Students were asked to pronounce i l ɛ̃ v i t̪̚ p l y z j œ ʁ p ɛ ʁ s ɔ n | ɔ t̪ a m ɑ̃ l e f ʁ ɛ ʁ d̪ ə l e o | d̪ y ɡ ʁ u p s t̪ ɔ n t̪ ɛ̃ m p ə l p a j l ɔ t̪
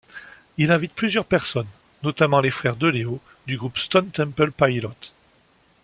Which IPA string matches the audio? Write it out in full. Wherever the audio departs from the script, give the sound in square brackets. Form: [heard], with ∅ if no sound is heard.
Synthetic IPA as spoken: i l ɛ̃ v i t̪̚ p l y z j œ ʁ p ɛ ʁ s ɔ [nː] | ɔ t̪ a m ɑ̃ l e f [χ] ɛ ʁ d̪ ə l e o | d̪ y ɡ ʁ u p s t̪ ɔ n t̪ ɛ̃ m p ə l p a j l ɔ t̪